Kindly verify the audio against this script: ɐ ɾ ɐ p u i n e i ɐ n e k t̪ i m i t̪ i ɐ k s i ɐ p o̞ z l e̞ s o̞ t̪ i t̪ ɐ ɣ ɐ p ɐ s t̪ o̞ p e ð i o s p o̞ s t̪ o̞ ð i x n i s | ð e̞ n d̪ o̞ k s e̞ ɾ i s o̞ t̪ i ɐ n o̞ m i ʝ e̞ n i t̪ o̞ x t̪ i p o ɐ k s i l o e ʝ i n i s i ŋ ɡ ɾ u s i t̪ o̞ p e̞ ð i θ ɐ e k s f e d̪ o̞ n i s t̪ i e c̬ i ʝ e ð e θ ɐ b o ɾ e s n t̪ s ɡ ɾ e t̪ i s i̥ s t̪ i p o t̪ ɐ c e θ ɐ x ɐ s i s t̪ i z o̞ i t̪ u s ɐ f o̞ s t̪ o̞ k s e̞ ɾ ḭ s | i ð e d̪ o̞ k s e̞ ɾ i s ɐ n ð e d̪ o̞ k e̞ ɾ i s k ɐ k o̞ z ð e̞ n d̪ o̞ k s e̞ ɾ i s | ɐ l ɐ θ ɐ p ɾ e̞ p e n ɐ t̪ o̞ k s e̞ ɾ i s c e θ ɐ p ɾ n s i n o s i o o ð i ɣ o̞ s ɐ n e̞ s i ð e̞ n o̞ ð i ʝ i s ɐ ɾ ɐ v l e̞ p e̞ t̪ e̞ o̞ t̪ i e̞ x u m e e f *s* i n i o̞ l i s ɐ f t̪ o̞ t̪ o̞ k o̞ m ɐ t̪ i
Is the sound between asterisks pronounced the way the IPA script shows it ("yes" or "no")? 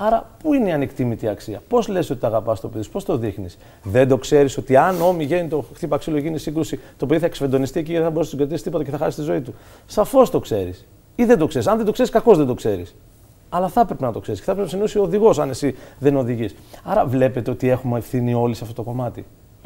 no